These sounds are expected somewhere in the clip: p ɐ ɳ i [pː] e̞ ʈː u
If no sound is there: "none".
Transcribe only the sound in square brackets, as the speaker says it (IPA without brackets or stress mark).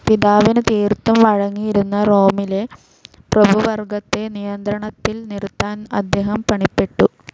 pː